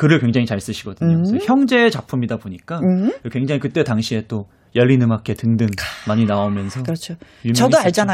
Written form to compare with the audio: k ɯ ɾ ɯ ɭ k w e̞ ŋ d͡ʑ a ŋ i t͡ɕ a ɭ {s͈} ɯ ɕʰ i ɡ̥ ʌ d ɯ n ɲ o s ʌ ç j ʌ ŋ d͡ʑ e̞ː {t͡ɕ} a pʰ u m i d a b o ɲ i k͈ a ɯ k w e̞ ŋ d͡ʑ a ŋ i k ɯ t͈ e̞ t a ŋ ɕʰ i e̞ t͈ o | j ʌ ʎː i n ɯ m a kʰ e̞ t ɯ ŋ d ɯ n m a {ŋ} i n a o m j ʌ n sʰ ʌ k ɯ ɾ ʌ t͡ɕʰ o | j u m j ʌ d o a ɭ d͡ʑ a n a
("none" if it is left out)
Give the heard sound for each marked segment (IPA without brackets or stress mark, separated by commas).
s͈, t͡ɕ, ɲ